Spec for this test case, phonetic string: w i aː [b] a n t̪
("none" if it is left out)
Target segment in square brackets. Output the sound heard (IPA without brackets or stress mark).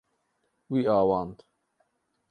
w